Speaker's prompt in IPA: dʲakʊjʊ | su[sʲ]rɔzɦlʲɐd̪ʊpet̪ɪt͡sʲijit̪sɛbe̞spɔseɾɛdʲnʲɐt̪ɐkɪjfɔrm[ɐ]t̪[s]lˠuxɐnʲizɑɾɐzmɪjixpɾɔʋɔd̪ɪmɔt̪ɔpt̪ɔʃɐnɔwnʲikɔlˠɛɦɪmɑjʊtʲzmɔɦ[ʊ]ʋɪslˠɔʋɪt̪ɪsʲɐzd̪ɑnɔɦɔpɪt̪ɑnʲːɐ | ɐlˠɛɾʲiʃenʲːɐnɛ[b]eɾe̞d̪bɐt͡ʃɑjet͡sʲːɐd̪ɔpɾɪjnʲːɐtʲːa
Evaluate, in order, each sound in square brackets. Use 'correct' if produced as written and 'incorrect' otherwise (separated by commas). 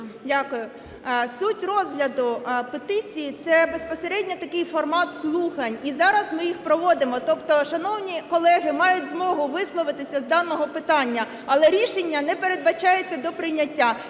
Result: incorrect, incorrect, correct, correct, incorrect